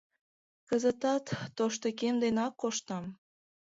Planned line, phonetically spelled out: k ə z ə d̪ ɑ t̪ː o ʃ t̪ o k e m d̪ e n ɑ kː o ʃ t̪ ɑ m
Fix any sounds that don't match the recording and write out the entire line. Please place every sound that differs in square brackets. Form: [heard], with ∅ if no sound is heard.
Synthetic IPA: k ə z ə [t̪] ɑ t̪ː o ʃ t̪ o k e m d̪ e n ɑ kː o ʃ t̪ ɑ m